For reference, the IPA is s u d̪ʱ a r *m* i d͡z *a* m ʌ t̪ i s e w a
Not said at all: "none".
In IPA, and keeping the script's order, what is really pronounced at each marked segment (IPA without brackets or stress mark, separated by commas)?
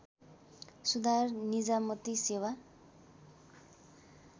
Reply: n, a